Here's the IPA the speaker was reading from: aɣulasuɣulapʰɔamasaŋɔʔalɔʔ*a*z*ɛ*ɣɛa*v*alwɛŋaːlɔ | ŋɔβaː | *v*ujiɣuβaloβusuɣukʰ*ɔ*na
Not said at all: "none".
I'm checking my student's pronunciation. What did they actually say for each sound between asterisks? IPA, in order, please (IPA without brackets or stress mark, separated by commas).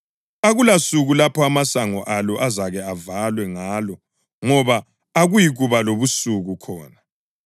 a, a, v, ɣ, ɔː